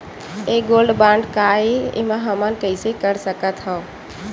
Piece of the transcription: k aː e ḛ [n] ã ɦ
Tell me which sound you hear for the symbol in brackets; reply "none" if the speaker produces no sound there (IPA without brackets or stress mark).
m